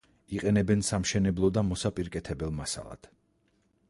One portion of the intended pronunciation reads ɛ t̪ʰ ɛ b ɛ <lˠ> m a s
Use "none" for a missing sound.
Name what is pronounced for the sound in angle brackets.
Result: lˠ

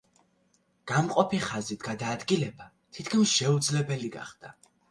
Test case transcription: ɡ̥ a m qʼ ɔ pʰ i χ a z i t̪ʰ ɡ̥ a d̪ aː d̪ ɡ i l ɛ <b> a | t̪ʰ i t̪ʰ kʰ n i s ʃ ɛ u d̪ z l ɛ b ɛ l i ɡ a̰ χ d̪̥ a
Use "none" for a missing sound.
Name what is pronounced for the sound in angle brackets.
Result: b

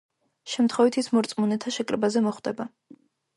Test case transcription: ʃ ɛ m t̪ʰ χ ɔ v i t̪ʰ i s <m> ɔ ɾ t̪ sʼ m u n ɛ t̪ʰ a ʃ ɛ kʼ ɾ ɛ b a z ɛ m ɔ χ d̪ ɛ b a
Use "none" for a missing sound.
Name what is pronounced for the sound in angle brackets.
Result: m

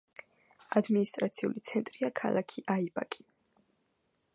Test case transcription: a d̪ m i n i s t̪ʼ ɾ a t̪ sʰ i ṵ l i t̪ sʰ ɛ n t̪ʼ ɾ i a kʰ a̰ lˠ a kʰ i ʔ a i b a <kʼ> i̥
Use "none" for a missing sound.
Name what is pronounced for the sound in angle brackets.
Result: kʼ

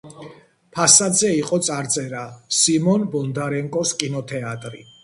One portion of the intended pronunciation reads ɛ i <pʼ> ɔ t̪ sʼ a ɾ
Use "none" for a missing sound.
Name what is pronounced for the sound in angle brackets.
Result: qʼ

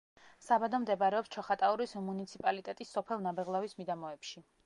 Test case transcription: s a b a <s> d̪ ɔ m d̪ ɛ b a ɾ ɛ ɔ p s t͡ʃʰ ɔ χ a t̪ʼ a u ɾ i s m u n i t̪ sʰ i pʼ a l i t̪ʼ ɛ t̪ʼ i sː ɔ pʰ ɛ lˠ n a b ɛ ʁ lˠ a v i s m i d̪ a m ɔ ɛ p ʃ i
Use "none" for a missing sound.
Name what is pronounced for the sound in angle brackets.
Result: none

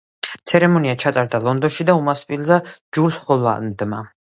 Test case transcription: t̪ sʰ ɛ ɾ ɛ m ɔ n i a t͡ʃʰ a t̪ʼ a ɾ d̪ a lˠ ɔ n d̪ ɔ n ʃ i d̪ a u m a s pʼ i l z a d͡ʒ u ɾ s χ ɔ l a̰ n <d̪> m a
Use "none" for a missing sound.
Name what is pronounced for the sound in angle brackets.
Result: d̪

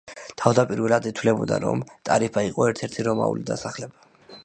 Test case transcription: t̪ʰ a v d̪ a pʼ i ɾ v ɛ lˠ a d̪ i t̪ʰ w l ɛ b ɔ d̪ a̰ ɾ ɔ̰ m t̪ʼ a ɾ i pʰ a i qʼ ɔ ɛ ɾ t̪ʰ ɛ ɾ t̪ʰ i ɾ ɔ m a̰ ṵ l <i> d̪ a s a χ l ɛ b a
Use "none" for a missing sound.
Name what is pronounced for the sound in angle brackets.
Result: i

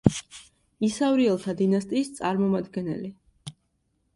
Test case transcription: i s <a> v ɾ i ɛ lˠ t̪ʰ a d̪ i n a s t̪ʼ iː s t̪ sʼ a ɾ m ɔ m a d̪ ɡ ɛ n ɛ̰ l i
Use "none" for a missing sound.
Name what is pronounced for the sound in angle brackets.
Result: a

